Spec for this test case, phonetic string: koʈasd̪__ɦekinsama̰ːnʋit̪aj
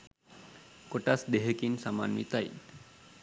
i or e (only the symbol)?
e